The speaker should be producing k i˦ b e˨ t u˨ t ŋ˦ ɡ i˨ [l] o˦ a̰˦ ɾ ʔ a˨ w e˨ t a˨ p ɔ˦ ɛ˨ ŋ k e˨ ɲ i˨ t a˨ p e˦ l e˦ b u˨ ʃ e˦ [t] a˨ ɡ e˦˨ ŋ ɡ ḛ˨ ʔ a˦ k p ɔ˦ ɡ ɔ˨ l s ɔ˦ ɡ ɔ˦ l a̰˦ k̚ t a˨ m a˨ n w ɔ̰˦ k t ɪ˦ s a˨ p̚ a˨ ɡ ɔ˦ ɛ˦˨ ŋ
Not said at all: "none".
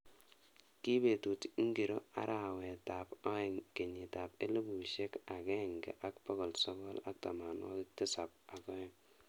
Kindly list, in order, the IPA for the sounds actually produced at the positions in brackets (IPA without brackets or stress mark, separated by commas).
ɾ, k